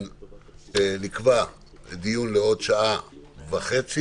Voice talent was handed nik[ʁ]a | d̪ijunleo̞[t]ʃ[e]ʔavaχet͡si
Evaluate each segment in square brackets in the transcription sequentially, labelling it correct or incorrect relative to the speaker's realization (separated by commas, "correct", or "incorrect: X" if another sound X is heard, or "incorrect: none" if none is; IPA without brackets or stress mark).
incorrect: v, incorrect: d, incorrect: a